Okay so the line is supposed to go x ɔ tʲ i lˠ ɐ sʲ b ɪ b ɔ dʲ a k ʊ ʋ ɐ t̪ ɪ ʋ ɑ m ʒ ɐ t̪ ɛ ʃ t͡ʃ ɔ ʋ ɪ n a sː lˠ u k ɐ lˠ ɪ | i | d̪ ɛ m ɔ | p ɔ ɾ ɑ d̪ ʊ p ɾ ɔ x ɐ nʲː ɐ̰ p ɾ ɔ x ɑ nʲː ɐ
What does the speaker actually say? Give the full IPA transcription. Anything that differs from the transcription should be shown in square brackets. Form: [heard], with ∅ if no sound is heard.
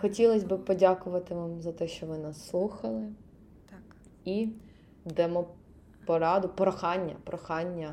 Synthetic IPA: x ɔ tʲ i lˠ ɐ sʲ b ɪ [p] ɔ dʲ a k ʊ ʋ ɐ t̪ ɪ ʋ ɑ m [z] ɐ t̪ ɛ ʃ t͡ʃ ɔ ʋ ɪ n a sː lˠ u [x] ɐ lˠ ɪ | i | d̪ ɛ m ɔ | p ɔ ɾ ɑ d̪ ʊ p ɾ ɔ x [ɑ] nʲː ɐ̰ p ɾ ɔ x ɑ nʲː ɐ